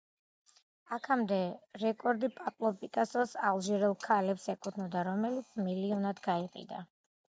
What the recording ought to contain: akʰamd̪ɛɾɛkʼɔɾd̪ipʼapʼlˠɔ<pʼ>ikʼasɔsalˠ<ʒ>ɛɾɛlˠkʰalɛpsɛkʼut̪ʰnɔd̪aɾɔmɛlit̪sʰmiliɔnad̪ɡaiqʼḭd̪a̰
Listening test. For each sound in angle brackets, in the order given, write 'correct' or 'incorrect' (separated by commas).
correct, correct